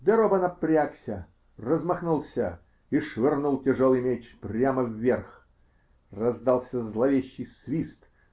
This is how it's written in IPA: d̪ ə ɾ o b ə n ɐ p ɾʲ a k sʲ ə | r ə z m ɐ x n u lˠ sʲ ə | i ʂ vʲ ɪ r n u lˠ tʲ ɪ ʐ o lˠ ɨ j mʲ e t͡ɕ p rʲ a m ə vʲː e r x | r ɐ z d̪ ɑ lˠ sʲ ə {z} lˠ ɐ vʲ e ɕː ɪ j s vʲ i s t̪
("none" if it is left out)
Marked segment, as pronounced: z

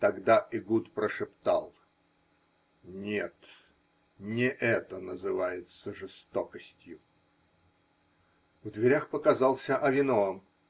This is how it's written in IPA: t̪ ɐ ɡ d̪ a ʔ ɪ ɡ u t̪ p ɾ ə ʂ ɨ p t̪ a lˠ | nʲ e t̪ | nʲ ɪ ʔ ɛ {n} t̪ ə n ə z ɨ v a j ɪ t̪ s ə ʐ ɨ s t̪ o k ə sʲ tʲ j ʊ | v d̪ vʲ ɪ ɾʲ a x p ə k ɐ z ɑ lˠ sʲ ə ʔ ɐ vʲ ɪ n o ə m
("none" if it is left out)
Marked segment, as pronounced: none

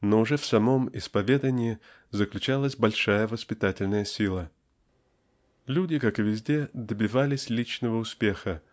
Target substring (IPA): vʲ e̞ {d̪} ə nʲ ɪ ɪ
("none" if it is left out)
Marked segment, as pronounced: d̪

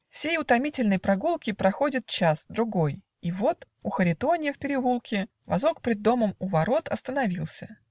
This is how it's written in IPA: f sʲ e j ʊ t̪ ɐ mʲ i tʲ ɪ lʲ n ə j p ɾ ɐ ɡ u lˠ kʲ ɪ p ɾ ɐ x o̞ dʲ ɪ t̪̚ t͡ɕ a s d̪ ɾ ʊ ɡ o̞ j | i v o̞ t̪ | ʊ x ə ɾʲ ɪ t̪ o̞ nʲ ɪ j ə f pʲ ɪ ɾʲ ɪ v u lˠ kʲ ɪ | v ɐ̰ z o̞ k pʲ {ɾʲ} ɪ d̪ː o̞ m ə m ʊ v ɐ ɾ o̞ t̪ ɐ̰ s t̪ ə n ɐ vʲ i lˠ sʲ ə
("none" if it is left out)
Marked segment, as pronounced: ɾʲ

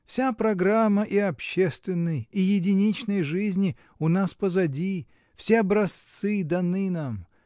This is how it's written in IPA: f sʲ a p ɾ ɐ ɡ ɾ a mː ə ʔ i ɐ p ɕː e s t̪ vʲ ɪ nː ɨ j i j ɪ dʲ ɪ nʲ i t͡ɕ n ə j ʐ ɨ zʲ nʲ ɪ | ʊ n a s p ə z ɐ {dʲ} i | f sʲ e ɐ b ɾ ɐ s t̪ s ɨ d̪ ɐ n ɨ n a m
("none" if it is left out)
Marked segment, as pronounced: dʲ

